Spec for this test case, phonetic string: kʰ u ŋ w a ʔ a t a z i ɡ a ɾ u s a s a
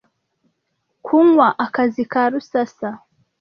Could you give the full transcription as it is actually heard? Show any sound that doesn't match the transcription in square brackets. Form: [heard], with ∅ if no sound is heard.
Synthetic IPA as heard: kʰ u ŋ w a ʔ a [k] a z i [k] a ɾ u s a s a